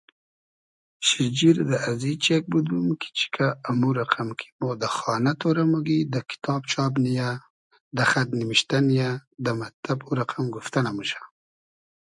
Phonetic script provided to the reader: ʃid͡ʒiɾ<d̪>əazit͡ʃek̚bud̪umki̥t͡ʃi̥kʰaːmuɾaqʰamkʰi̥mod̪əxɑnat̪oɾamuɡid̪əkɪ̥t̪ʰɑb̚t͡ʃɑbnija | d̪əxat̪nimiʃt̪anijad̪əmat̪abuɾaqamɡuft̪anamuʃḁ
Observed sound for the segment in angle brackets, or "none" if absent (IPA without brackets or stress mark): d̪